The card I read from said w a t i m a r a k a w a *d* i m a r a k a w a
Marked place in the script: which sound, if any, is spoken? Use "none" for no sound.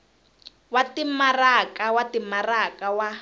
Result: t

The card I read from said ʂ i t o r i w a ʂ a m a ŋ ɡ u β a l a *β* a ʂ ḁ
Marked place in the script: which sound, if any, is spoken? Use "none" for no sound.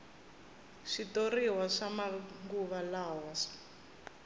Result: w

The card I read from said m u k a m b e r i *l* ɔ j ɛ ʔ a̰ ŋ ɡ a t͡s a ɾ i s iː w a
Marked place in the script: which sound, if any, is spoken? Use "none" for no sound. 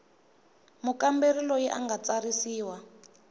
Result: l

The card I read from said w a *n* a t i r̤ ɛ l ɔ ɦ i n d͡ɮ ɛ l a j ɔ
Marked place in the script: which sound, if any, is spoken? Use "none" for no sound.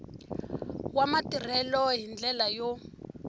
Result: m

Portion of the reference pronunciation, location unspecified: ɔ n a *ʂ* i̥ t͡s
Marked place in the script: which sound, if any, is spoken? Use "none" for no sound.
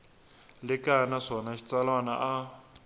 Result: ʃ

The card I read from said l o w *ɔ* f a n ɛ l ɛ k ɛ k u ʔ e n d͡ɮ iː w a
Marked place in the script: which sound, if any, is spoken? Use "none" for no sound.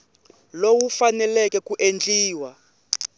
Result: u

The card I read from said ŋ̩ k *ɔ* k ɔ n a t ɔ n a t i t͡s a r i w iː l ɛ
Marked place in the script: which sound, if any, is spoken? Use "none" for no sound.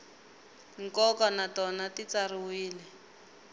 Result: ɔ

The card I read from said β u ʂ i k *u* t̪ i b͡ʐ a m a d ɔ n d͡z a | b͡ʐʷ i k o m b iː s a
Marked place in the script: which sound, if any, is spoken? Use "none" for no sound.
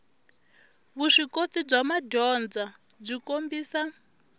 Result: o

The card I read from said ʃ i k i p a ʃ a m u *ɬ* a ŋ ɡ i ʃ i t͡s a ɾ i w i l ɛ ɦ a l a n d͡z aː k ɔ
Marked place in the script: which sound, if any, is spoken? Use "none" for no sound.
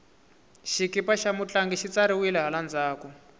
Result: t͡ɬ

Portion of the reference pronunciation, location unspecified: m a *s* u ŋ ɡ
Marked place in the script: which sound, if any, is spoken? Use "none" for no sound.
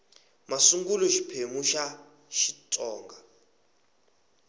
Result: s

